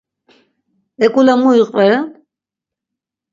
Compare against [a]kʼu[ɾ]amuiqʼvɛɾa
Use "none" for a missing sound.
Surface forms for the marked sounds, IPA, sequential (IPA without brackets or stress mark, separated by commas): ɛ, l